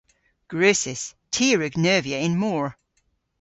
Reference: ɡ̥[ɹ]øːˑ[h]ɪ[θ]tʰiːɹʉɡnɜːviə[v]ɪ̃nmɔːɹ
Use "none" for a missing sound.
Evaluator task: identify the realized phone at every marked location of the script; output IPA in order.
ɹ, s, s, none

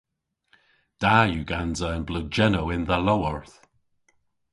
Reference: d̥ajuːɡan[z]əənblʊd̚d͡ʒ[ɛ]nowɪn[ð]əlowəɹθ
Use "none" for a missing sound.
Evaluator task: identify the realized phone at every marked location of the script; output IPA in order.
z, ɛ, ð

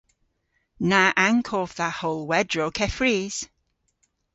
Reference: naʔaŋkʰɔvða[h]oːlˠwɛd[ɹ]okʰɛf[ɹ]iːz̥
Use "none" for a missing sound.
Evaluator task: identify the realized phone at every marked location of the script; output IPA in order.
h, ɹ, ɹ

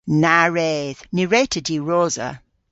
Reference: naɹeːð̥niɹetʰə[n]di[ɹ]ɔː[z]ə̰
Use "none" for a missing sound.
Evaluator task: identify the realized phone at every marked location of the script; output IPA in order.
none, ɹ, z

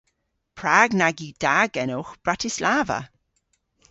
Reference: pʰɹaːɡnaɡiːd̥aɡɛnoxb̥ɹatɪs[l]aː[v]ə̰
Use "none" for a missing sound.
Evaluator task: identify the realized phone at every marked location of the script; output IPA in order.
l, v

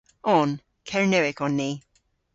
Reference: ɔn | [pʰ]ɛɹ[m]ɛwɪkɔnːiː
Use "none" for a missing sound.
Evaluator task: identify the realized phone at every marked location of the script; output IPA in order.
kʰ, n

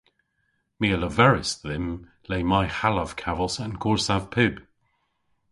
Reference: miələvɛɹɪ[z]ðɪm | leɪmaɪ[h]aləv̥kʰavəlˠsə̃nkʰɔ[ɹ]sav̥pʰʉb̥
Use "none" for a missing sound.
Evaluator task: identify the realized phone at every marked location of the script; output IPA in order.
s, h, ɹ

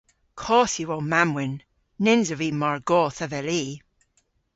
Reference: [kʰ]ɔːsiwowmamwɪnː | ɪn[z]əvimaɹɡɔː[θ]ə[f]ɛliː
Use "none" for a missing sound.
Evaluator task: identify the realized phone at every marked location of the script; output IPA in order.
kʰ, z, θ, v

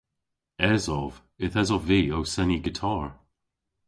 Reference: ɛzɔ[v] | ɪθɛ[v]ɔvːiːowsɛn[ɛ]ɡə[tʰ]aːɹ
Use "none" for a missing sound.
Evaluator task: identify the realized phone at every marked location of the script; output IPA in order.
v, z, i, tʰ

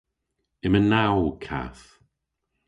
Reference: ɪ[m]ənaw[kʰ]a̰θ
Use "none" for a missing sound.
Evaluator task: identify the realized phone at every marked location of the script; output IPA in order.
m, kʰ

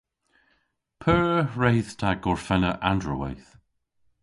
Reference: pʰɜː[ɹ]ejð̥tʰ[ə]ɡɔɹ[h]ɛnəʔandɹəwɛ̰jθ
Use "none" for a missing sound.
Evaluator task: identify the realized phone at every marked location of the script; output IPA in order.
ɹ, a, f

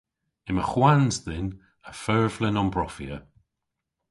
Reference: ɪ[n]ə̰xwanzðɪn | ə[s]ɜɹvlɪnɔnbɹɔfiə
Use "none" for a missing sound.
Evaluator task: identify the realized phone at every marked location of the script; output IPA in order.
m, f

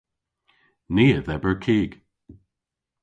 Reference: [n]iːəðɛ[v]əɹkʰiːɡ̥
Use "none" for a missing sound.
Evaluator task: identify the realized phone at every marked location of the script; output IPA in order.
n, b

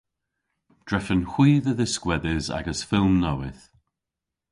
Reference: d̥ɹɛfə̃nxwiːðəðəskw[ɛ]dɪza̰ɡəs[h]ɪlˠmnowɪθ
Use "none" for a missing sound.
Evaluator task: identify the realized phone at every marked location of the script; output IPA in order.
ɛ, f

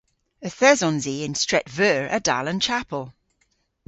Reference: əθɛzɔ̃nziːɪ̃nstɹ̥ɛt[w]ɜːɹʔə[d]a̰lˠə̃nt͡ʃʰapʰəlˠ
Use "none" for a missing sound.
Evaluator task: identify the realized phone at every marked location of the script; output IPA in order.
v, d

